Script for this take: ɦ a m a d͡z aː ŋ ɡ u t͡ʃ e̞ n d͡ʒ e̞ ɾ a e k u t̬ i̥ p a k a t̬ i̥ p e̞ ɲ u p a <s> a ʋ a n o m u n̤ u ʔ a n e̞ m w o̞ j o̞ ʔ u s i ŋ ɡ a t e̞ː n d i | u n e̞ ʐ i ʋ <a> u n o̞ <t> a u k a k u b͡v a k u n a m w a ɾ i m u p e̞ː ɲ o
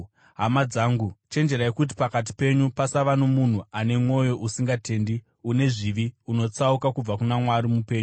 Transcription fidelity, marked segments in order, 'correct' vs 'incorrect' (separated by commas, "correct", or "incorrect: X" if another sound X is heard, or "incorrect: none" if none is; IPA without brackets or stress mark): correct, incorrect: i, incorrect: t͡s